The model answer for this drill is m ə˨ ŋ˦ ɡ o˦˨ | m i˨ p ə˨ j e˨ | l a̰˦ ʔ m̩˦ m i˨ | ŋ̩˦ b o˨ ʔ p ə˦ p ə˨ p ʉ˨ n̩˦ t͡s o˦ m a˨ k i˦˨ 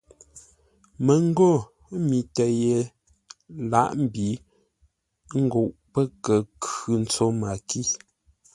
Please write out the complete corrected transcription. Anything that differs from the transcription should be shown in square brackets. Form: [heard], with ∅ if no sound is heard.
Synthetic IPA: m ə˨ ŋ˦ ɡ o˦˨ | m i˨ [t] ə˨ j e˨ | l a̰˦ ʔ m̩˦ [b] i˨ | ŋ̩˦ [ɡ] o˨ ʔ p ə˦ [k] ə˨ [k] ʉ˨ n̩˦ t͡s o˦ m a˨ k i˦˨